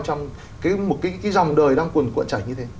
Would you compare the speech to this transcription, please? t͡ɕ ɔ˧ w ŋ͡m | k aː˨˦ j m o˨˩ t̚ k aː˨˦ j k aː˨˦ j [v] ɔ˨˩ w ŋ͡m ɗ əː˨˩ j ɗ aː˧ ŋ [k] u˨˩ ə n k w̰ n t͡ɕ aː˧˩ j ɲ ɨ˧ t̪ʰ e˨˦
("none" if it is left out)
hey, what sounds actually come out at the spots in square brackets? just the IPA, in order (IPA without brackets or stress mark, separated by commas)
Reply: z, k